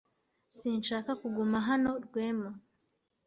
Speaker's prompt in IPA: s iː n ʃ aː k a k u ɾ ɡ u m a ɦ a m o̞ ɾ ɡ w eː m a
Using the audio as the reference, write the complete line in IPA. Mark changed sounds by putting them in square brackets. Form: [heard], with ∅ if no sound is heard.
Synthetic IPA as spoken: s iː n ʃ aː k a k u [∅] ɡ u m a ɦ a [n] o̞ ɾ ɡ w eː m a